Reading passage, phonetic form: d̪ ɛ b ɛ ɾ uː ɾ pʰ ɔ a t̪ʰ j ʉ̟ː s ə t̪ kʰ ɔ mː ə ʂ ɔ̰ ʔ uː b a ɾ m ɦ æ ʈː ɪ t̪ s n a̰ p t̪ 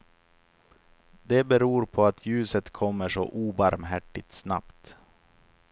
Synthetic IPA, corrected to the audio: d̪ ɛ b ɛ ɾ uː ɾ pʰ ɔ a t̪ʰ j ʉ̟ː s ə t̪ kʰ ɔ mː ə ʂ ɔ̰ ʔ uː b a ɾ m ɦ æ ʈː ɪ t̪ s n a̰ p t̪